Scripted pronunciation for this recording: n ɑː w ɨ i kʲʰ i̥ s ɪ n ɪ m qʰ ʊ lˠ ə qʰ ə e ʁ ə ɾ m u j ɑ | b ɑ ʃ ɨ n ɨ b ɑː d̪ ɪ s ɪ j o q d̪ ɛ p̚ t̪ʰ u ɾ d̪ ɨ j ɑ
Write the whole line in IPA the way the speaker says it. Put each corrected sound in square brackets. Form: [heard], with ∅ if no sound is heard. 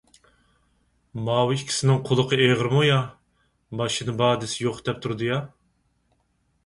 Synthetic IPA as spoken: [m] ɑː w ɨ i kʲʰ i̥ s ɪ n ɪ [ŋ] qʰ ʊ lˠ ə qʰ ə e ʁ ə ɾ m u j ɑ | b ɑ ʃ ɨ n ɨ b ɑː d̪ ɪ s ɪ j o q d̪ ɛ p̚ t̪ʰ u ɾ d̪ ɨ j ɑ